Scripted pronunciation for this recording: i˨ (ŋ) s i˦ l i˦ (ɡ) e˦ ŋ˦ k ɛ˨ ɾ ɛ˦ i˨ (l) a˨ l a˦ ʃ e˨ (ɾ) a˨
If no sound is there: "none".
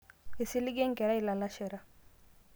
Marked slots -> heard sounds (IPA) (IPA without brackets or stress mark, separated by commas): none, ɡ, l, ɾ